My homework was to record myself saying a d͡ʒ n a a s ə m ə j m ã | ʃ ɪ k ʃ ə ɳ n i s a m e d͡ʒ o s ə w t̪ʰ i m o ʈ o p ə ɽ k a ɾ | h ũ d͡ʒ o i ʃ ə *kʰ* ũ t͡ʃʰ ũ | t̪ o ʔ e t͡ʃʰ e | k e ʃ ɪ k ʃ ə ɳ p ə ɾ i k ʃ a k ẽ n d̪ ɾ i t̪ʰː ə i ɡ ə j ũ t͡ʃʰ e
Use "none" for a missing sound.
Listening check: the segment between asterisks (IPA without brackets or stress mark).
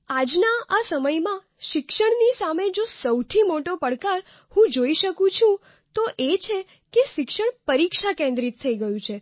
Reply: k